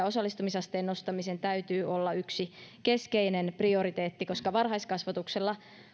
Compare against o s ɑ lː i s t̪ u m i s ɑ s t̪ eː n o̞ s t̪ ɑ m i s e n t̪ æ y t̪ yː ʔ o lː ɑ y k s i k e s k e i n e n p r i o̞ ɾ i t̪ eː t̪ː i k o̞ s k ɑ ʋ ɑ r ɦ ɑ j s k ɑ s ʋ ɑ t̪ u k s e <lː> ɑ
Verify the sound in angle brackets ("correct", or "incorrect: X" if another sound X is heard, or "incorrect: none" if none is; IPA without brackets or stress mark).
correct